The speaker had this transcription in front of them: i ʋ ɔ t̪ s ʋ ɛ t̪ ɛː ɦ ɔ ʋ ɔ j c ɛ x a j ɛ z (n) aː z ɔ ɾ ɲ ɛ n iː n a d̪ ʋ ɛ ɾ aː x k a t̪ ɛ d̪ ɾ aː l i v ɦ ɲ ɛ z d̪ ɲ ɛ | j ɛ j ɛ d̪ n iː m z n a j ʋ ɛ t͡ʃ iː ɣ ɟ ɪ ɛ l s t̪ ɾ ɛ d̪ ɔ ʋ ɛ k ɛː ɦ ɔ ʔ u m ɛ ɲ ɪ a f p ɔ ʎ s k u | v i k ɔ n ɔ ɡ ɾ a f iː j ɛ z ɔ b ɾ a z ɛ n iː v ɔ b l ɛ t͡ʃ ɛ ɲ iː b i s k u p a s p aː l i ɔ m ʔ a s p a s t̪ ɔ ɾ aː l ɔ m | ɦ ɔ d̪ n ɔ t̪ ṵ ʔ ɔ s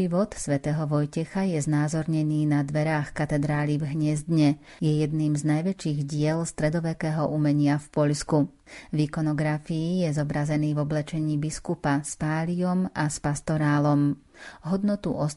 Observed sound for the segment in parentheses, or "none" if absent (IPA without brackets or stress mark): n